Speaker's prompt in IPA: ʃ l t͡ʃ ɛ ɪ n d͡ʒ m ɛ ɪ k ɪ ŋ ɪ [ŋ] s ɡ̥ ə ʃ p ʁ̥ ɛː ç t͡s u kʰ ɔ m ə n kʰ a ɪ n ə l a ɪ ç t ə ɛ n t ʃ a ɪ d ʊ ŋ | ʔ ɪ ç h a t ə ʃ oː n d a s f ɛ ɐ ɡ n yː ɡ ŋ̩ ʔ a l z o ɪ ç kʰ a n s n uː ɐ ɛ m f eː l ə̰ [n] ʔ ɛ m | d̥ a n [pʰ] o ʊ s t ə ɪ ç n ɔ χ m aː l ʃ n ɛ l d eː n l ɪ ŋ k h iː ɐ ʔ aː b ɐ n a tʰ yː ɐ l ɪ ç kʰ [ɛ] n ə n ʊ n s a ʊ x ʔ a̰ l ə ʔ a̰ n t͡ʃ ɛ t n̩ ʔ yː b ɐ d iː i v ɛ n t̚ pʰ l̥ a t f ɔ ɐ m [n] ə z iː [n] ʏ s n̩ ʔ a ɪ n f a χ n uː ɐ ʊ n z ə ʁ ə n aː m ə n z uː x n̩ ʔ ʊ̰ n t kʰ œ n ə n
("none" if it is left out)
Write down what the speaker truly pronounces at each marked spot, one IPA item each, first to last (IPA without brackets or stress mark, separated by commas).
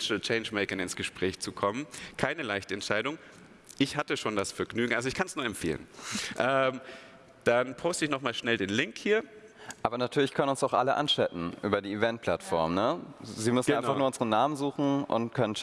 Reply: n, n, pʰ, œ, n, m